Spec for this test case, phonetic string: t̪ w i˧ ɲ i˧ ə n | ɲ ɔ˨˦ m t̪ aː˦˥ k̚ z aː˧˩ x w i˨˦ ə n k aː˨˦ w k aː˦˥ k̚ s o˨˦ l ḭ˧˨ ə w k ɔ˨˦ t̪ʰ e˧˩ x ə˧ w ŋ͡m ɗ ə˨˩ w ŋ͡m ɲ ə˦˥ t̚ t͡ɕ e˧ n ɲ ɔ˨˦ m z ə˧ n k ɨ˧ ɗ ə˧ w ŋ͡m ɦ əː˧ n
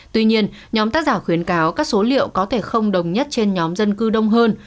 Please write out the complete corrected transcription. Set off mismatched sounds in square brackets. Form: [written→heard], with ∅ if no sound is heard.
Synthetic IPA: t̪ w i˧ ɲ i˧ ə n | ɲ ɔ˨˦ m t̪ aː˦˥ k̚ z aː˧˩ x w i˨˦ ə n k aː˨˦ w k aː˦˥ k̚ s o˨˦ l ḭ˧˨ ə w k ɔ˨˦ t̪ʰ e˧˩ x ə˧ w ŋ͡m ɗ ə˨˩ w ŋ͡m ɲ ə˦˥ t̚ t͡ɕ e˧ n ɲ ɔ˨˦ m z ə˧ n k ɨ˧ ɗ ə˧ w ŋ͡m ɦ əː˧ n